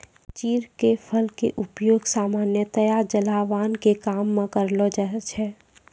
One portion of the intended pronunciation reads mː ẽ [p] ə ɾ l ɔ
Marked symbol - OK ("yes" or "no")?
no